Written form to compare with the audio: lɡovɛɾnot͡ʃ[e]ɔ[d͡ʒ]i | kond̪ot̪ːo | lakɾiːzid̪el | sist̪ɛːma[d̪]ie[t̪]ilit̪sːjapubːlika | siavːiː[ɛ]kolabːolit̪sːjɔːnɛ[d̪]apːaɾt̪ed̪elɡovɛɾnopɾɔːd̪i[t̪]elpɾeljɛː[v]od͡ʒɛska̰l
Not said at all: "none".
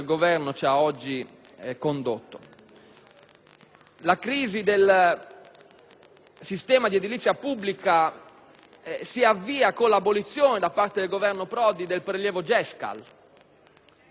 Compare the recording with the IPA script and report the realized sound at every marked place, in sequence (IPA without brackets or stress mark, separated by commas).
a, d͡ʒː, d̪, d̪, a, d̪, d̪, v